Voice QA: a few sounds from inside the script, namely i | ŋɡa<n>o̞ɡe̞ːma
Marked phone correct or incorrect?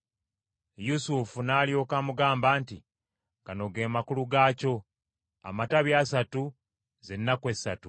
correct